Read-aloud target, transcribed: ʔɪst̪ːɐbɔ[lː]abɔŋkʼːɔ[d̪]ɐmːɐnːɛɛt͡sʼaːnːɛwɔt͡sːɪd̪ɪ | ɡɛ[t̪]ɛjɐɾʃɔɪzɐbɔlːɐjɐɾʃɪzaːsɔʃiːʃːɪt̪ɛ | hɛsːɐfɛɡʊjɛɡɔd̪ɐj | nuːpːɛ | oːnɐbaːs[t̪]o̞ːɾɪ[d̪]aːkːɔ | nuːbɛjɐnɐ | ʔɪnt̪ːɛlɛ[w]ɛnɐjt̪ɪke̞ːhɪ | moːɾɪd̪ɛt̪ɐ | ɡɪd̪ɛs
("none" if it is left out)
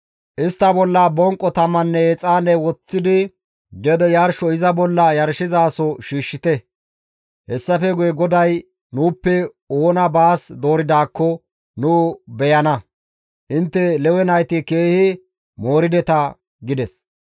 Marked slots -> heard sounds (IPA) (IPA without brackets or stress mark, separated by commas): lː, t̪, d̪, d̪, d̪, w